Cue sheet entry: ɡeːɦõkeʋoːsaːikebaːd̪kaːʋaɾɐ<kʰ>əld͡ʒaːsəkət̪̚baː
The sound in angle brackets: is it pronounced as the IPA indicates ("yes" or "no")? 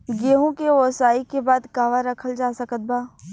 yes